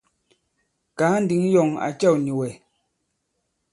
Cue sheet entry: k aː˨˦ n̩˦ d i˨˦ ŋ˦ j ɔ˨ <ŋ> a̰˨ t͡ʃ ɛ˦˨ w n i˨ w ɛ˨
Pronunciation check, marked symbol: correct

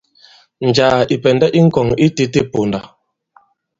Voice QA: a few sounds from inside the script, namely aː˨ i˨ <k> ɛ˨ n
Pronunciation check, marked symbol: incorrect: p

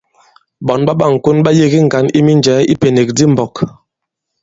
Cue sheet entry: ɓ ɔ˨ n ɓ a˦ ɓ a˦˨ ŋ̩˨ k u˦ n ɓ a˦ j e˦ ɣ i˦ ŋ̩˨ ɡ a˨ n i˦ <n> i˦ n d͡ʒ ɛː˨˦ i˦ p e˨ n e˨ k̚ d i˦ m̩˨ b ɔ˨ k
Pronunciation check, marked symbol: incorrect: m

